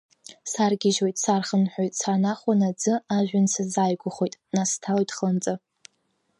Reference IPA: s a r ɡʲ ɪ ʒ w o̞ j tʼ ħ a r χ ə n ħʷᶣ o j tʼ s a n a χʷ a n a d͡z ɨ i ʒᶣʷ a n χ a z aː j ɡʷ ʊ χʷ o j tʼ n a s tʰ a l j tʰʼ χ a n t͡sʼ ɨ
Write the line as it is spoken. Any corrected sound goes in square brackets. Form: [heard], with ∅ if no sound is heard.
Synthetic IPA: s a r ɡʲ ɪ ʒ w o̞ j tʼ [s] a r χ ə n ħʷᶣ o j tʼ s a n a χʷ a n a d͡z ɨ [a] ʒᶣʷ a n [s] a z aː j ɡʷ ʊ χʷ o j tʼ n a s tʰ a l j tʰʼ χ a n t͡sʼ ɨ